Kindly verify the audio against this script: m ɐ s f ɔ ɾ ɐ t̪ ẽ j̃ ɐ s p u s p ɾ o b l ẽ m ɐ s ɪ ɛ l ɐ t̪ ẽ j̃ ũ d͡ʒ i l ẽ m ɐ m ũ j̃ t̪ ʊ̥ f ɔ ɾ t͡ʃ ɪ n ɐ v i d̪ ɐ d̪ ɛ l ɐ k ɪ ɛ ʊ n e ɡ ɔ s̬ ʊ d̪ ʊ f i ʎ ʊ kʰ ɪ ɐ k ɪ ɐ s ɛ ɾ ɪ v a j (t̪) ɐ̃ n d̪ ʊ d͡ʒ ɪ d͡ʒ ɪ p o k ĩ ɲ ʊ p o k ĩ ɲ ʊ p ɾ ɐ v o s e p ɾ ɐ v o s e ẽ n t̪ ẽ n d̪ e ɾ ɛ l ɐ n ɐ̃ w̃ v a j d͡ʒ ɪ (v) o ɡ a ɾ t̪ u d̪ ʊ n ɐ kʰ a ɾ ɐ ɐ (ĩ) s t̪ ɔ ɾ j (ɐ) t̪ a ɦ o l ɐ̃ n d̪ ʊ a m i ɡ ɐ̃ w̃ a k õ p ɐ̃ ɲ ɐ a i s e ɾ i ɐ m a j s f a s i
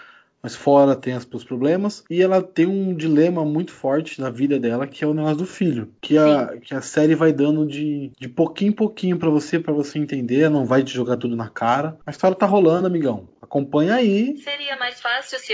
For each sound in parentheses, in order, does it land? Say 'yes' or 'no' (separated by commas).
no, no, no, yes